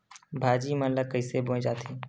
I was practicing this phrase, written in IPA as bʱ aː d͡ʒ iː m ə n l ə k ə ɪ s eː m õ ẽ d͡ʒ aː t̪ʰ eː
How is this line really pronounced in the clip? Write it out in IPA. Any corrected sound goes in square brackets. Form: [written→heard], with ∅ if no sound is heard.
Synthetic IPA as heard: bʱ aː d͡ʒ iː m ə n l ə k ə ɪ s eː [m→b] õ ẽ d͡ʒ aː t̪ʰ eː